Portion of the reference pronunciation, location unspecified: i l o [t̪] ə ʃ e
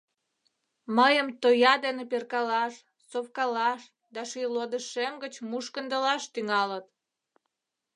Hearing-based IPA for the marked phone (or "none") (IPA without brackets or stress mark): d̪